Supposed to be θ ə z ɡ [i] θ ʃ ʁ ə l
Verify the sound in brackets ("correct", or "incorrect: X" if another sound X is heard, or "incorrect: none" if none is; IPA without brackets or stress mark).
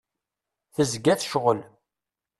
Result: incorrect: æ